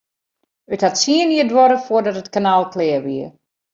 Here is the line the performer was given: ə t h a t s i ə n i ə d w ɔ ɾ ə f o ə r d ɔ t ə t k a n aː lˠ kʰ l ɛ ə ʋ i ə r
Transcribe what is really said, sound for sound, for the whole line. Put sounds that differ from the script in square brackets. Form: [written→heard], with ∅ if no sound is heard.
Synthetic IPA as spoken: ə t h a t s i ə n i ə d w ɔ ɾ ə f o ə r d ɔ t ə t k a n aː lˠ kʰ l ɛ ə ʋ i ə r